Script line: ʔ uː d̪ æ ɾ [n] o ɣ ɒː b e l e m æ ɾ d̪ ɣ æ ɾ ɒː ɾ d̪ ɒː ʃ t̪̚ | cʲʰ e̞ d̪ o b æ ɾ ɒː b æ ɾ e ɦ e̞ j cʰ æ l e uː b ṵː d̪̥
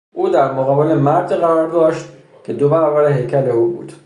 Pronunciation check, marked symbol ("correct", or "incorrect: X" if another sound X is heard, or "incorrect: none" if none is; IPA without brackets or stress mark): incorrect: m